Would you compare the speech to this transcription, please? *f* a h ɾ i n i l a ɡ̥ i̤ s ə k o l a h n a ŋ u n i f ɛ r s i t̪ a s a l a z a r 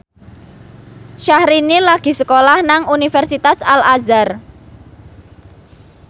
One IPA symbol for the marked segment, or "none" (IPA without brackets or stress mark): ʃ